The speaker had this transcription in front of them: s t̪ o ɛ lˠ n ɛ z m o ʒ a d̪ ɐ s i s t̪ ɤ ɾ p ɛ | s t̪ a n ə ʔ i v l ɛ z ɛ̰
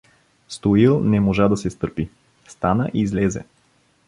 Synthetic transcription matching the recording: s t̪ o i lˠ n ɛ m o ʒ a d̪ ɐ s ɛ s t̪ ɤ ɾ p i | s t̪ a n ə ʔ i z l ɛ z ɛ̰